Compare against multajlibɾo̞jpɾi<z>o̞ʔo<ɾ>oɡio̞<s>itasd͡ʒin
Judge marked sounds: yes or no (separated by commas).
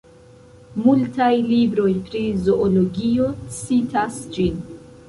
yes, no, yes